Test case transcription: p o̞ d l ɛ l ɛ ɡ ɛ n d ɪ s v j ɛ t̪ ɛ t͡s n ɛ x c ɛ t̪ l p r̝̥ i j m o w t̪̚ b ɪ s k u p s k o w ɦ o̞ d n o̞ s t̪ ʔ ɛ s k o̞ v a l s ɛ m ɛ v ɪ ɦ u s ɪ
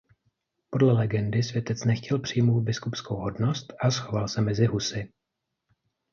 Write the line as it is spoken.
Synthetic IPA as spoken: p o̞ d l ɛ l ɛ ɡ ɛ n d ɪ s v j ɛ t̪ ɛ t͡s n ɛ x c ɛ l p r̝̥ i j m o w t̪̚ b ɪ s k u p s k o w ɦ o̞ d n o̞ s t̪ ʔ a s x o̞ v a l s ɛ m ɛ z ɪ ɦ u s ɪ